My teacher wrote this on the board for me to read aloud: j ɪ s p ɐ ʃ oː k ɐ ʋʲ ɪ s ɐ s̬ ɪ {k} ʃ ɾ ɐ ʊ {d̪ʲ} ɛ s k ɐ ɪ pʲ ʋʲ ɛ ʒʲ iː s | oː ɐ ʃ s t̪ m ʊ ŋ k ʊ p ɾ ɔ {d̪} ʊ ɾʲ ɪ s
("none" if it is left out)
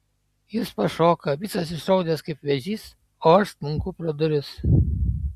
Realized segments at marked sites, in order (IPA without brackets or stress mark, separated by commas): none, d̪ʲ, d̪